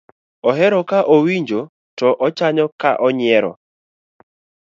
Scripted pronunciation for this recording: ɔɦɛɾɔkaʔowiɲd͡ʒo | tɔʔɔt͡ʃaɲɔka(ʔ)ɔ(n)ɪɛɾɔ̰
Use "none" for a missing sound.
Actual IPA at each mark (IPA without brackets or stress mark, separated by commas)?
ʔ, ɲ